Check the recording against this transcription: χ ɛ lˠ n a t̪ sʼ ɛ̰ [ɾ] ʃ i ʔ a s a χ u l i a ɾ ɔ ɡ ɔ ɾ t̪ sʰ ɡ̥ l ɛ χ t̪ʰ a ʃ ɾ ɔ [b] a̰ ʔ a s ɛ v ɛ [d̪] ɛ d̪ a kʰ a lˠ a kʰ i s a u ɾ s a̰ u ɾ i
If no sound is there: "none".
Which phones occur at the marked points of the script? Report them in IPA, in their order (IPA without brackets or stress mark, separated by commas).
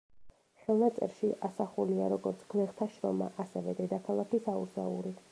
ɾ, m, d̪